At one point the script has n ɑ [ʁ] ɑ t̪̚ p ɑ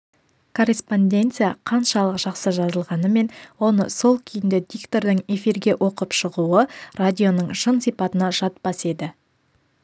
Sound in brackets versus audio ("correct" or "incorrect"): incorrect